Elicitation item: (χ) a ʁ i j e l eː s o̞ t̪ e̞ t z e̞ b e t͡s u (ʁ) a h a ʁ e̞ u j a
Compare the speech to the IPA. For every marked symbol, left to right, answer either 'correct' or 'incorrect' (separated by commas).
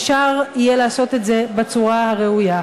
incorrect, correct